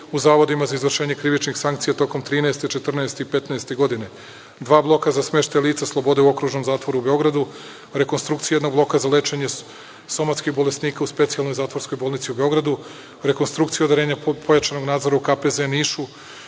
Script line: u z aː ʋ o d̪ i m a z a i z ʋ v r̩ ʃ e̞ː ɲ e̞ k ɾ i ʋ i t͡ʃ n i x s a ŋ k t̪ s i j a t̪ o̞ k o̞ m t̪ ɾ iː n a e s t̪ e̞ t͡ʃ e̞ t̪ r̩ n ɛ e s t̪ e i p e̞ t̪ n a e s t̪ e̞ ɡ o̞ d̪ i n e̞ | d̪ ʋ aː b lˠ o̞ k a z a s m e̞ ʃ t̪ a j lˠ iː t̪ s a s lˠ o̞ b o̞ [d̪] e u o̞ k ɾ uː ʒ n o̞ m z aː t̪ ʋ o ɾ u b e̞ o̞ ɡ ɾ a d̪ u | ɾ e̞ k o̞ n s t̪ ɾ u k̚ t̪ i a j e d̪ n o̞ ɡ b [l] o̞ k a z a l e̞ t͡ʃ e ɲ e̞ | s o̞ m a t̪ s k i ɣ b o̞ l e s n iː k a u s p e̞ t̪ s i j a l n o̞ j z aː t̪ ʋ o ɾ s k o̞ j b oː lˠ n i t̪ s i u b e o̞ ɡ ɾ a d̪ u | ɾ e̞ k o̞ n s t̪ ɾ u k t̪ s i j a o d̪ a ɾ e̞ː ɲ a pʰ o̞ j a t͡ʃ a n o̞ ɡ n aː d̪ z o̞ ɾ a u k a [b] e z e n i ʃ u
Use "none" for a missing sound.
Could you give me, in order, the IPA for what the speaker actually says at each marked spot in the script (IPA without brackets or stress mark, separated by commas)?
d̪, l, p